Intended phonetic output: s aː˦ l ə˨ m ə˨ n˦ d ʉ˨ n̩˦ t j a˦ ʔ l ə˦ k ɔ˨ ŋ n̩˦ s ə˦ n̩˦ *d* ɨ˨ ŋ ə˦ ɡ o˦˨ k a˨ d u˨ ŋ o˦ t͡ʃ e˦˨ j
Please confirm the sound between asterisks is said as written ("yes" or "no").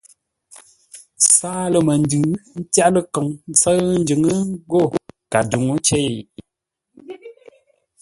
no